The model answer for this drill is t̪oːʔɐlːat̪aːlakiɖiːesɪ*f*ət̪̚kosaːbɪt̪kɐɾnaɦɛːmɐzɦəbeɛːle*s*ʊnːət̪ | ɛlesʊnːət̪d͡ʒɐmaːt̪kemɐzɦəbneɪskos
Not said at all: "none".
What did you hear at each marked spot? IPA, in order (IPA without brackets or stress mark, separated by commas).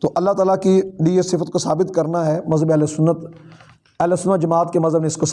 f, s